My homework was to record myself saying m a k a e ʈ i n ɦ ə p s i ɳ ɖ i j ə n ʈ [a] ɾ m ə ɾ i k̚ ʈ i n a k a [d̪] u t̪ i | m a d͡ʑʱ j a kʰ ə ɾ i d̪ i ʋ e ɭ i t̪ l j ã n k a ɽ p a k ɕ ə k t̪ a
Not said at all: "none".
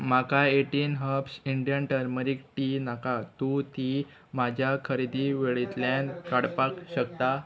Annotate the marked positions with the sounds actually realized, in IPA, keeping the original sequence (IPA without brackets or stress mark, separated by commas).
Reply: ə, t̪